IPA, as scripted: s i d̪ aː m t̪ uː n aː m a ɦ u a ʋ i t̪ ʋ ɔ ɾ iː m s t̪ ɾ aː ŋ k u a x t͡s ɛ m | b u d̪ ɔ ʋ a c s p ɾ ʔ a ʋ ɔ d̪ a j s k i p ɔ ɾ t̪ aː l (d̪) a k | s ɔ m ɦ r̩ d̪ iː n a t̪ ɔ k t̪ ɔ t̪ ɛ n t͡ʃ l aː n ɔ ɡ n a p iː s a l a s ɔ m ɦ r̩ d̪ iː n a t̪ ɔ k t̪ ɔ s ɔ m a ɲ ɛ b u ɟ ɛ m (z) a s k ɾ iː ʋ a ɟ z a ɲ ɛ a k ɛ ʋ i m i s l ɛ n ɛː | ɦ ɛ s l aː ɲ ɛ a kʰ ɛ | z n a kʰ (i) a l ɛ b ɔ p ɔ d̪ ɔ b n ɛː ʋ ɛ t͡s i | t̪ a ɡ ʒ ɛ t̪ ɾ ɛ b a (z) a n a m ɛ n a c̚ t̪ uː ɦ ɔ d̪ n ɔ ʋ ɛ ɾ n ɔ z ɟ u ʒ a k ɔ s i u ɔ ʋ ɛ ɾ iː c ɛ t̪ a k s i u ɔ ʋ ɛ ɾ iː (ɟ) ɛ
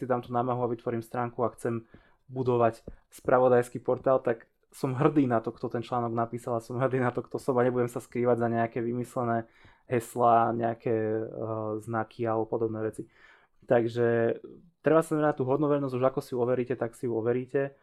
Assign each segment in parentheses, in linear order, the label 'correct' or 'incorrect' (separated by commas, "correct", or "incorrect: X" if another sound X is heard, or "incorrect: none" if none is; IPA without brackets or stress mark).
incorrect: t̪, incorrect: s, correct, incorrect: s, incorrect: c